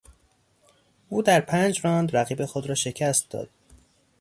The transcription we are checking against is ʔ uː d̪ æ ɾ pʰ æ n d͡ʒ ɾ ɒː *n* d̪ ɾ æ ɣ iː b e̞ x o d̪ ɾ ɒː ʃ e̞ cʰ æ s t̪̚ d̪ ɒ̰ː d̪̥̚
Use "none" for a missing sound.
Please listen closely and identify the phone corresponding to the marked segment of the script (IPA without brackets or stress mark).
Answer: n